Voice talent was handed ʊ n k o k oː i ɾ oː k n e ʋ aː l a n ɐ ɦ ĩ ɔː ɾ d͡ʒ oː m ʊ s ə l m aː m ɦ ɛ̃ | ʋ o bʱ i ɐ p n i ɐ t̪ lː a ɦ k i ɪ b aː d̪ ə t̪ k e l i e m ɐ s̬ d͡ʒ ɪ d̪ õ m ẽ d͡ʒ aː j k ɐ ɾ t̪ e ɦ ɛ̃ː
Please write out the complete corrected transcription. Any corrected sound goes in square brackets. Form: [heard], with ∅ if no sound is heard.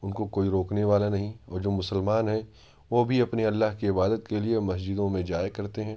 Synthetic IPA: ʊ n k o k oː i ɾ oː k n e ʋ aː l a n ɐ ɦ ĩ ɔː ɾ d͡ʒ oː m ʊ s ə l m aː [n] ɦ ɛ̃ | ʋ o bʱ i ɐ p n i ɐ [∅] lː a ɦ k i ɪ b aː d̪ ə t̪ k e l i e m ɐ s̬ d͡ʒ ɪ d̪ õ m ẽ d͡ʒ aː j k ɐ ɾ t̪ e ɦ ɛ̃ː